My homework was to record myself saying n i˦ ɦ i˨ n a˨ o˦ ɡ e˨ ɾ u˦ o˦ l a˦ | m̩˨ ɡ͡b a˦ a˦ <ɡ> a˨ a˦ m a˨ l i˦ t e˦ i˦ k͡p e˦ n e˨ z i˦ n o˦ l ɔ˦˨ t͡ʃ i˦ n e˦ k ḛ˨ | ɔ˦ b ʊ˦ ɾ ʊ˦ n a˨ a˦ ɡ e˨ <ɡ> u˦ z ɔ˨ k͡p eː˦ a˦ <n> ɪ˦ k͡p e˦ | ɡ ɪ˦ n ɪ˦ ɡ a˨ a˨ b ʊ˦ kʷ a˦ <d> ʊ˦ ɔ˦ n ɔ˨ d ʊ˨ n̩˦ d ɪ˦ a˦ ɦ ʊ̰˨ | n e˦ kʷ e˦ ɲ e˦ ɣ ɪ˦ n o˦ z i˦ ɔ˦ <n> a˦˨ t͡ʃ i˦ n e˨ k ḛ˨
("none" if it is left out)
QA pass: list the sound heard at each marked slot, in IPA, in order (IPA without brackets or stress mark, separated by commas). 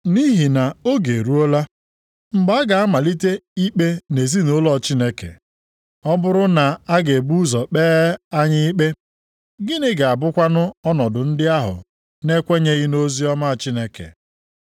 ɡ, b, ɲ, n, m